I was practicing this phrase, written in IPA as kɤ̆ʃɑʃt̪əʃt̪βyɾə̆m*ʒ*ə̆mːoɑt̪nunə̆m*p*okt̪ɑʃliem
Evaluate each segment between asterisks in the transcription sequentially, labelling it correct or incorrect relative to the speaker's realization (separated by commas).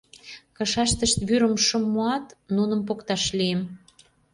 incorrect, correct